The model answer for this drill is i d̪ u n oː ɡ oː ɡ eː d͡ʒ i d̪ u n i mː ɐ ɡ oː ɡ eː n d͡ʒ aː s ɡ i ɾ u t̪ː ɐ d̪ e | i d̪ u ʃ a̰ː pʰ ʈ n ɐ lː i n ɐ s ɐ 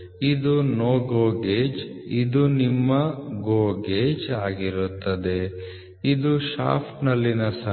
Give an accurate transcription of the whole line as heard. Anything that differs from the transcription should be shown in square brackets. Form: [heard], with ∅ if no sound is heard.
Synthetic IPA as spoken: i d̪ u n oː ɡ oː ɡ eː d͡ʒ i d̪ u n i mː ɐ ɡ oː ɡ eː [∅] d͡ʒ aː [∅] ɡ i ɾ u t̪ː ɐ d̪ e | i d̪ u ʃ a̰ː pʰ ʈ n ɐ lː i n ɐ s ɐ